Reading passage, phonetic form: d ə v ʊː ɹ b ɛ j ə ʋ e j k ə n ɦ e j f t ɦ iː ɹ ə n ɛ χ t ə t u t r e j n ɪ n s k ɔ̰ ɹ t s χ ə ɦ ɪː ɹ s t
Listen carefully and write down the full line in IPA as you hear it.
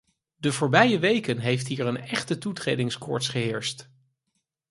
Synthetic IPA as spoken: d ə v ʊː ɹ b ɛ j ə ʋ e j k ə n ɦ e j f t ɦ iː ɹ ə n ɛ χ t ə t u t r e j d ɪ ŋ s k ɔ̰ ɹ t s χ ə ɦ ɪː ɹ s t